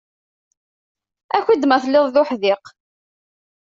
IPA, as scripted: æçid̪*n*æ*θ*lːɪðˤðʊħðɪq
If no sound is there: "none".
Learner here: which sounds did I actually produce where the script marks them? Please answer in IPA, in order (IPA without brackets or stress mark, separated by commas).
m, θ